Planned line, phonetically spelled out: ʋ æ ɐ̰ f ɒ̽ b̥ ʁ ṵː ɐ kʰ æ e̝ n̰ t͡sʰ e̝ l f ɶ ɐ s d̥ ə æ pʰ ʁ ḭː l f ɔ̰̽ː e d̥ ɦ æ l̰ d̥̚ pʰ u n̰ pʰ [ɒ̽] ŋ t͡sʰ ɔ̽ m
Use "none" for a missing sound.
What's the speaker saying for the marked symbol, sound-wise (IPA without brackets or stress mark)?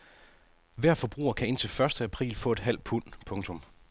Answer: ɔ̽